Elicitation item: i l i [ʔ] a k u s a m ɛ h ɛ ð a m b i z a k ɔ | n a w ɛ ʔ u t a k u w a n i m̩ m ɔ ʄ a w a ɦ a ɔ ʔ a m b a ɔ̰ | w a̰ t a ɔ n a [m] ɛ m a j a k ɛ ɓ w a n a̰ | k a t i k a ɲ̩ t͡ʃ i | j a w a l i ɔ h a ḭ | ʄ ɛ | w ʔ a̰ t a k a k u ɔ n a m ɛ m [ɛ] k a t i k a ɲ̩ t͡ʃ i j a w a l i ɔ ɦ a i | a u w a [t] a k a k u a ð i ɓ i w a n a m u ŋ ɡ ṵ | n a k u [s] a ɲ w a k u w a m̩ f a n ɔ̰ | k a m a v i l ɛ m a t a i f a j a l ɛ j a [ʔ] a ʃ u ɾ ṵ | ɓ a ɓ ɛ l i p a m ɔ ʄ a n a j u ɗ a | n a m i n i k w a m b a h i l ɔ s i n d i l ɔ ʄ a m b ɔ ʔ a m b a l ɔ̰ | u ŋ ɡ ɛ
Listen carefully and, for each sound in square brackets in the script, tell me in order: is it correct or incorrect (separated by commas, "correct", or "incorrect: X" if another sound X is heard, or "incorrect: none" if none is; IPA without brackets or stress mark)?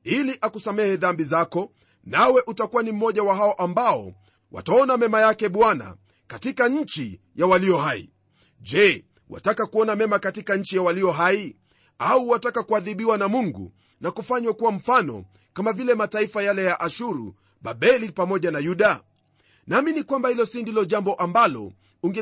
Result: correct, correct, incorrect: a, correct, incorrect: f, correct